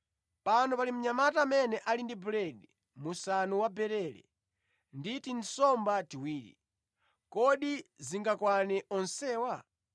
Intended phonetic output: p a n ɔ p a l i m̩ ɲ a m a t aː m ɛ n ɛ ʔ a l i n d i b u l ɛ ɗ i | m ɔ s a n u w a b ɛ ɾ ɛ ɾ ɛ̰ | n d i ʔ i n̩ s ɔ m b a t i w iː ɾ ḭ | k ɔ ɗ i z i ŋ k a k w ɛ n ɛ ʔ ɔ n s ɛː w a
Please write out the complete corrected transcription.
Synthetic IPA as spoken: p a n ɔ p a l i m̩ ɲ a m a t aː m ɛ n ɛ ʔ a l i n d i b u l ɛ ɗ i | m u s a n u w a b ɛ ɾ ɛ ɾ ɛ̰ | n d i t i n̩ s ɔ m b a t i w iː ɾ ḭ | k ɔ ɗ i z i ŋ ɡ a k w a n ɛ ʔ ɔ n s ɛː w a